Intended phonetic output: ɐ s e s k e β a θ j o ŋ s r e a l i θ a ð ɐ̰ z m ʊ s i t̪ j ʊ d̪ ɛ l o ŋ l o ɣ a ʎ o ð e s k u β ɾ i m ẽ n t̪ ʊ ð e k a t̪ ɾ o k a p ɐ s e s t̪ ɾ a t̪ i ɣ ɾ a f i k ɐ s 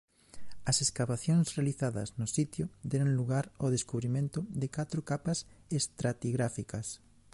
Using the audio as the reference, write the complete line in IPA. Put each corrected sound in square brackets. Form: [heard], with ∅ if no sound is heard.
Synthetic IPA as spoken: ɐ s e s k [a] β a θ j o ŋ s r e a l i θ a ð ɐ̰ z [n] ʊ s i t̪ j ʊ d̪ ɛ [ɾ] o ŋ l [u] ɣ a [ɾ] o ð e s k u β ɾ i m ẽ n t̪ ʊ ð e k a t̪ ɾ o k a p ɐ s e s t̪ ɾ a t̪ i ɣ ɾ a f i k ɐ s